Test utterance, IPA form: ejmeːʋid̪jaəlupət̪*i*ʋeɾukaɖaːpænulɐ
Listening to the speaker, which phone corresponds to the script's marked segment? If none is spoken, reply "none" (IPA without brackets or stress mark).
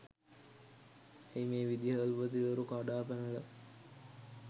i